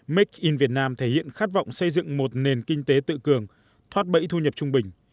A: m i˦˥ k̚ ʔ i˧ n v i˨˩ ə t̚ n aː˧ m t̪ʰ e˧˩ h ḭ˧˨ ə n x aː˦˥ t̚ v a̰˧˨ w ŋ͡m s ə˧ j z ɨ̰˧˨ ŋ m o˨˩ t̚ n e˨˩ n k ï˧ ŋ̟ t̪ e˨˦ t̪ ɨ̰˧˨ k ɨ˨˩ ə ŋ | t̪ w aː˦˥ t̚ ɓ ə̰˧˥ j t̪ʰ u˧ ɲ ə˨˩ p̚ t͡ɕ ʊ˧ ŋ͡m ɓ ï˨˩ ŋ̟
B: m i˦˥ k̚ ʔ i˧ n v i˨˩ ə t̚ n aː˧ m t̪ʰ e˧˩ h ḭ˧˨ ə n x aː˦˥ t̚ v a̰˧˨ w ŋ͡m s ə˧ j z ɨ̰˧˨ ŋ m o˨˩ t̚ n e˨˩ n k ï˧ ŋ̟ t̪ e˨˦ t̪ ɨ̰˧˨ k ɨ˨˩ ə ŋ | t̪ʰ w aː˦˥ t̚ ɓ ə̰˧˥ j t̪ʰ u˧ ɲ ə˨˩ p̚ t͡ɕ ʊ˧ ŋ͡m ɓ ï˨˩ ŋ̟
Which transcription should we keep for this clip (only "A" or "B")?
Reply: B